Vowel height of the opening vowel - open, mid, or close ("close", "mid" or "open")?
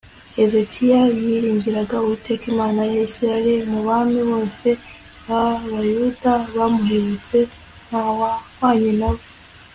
mid